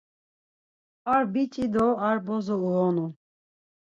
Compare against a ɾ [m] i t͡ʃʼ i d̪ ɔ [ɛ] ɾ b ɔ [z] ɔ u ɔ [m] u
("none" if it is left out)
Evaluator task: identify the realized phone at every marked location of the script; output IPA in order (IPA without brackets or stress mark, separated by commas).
b, a, z, n